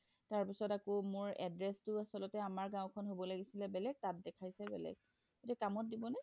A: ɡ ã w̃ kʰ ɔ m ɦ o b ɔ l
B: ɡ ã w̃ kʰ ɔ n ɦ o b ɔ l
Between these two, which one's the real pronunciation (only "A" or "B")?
B